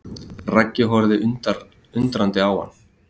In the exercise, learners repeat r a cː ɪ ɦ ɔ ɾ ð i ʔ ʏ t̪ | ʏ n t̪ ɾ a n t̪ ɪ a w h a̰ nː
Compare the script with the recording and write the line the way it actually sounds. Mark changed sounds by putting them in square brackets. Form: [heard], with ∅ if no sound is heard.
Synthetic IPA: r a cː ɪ ɦ ɔ ɾ ð [ɪ] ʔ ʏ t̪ | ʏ n t̪ ɾ a n t̪ ɪ a w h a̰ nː